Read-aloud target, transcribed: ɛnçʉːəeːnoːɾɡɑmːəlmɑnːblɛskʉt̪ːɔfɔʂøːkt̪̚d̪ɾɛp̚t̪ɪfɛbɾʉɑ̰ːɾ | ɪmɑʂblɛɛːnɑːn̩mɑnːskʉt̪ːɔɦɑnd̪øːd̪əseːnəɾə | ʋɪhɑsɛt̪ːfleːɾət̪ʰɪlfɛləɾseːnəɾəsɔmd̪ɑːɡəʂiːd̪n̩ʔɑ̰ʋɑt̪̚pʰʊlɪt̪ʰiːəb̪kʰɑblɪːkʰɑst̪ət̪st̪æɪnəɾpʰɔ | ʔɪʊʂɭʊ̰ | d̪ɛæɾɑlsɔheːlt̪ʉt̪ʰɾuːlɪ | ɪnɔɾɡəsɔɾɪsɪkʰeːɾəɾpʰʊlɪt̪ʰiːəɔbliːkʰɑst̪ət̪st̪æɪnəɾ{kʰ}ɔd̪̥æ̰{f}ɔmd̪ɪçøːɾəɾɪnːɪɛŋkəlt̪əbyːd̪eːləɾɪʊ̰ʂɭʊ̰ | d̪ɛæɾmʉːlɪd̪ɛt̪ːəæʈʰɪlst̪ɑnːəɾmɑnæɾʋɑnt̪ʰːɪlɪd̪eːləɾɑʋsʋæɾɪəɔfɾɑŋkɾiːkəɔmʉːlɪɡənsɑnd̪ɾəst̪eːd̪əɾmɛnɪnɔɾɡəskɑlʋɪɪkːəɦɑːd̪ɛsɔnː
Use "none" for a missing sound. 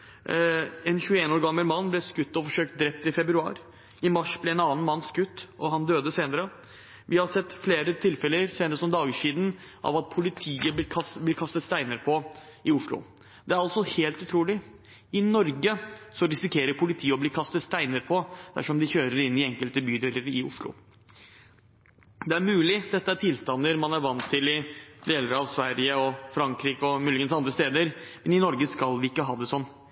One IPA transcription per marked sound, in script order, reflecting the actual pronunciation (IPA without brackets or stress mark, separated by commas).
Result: pʰ, ʂ